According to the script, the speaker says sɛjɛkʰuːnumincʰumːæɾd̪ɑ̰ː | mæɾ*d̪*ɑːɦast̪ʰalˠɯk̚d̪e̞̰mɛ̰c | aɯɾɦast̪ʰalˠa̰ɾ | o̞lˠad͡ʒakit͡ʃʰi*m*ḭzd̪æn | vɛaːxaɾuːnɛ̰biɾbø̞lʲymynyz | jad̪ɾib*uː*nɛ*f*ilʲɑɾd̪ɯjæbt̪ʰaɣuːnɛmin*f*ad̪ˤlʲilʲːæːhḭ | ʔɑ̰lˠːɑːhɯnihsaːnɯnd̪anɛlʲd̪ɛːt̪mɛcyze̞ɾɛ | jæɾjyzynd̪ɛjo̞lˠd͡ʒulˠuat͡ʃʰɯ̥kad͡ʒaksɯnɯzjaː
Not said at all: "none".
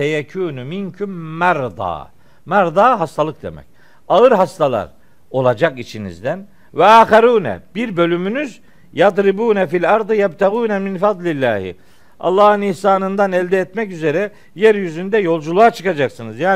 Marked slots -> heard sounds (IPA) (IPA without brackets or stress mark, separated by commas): d̪, n, uː, f, f